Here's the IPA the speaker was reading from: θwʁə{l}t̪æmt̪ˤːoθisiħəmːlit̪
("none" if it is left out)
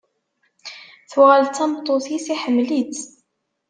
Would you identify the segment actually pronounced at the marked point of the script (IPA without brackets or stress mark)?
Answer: l